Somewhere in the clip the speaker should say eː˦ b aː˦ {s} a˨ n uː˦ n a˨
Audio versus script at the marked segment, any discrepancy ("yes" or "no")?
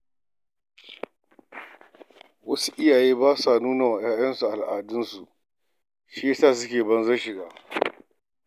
no